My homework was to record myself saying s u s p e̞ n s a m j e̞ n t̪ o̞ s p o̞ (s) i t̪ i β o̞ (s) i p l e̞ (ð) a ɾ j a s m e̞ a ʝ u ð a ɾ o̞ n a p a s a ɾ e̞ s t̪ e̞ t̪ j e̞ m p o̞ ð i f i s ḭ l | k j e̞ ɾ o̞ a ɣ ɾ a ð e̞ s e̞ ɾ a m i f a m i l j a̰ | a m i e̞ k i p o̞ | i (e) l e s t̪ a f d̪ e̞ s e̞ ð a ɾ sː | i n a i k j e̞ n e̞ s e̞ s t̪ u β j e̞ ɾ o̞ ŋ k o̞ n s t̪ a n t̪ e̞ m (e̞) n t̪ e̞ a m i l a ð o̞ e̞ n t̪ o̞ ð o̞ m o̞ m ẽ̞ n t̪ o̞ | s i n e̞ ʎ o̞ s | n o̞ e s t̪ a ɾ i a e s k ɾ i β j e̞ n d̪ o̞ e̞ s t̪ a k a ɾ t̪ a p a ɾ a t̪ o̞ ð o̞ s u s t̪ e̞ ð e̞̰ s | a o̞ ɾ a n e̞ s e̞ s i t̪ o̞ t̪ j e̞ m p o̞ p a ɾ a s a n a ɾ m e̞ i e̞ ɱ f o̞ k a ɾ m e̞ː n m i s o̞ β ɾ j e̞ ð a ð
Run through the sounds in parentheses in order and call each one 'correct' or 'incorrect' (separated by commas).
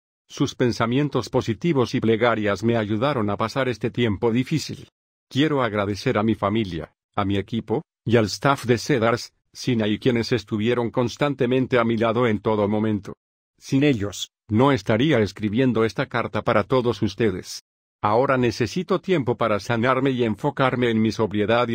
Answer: correct, correct, incorrect, incorrect, incorrect